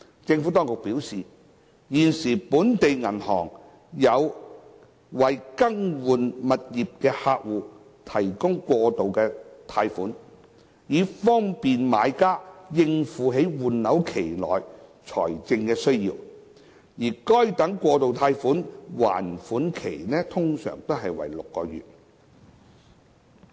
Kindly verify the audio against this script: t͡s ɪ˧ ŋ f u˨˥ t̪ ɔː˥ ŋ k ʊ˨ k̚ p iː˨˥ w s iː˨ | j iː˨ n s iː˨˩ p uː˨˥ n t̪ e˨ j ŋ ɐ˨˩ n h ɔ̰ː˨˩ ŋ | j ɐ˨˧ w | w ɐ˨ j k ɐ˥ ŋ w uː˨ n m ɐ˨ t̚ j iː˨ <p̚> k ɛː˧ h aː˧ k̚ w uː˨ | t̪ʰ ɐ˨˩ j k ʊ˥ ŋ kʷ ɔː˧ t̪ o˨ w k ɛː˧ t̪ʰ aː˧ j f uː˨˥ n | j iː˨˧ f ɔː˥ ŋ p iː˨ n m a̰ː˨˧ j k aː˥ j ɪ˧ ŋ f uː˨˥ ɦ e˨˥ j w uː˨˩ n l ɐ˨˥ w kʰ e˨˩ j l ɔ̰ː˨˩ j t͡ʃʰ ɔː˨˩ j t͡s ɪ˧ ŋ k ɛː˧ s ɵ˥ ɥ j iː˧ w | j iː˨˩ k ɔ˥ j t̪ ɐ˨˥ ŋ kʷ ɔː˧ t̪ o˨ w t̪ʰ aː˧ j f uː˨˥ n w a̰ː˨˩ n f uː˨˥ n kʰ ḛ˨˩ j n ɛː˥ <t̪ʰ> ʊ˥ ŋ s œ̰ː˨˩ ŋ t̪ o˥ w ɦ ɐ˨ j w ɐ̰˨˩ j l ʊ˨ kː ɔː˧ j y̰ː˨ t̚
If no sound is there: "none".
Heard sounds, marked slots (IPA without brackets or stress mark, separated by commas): p̚, t̪ʰ